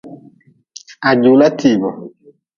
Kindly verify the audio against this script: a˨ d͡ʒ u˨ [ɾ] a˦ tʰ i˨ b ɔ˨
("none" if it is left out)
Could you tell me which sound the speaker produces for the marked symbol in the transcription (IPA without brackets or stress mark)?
l